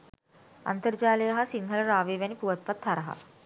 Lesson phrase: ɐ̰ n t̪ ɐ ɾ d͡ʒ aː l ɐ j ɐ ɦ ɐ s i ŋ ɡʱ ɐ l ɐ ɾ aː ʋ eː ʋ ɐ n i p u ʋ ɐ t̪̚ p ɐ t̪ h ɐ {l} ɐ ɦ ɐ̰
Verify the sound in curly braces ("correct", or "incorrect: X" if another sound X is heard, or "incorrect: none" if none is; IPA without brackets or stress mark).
incorrect: ɾ